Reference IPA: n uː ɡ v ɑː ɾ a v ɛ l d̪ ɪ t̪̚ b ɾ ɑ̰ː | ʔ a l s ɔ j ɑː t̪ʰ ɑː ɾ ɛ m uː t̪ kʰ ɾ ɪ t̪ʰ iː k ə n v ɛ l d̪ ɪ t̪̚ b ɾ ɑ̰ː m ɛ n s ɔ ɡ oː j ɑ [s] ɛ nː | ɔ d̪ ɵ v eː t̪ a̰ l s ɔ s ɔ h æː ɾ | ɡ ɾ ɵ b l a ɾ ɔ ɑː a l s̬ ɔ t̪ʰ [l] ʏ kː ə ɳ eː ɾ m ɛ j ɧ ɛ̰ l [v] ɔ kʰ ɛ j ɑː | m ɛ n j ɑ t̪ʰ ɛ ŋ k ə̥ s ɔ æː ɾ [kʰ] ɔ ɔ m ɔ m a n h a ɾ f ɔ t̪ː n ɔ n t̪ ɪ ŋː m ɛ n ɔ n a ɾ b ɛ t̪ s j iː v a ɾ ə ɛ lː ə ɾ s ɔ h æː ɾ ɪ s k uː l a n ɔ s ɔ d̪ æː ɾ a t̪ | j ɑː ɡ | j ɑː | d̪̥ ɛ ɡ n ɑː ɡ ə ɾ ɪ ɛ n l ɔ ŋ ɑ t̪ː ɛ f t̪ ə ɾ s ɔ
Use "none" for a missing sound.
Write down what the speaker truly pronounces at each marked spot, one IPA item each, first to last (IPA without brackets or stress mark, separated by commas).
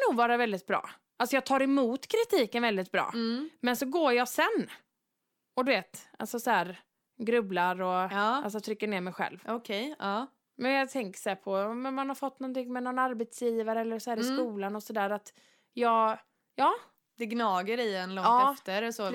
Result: s, ɾ, v, pʰ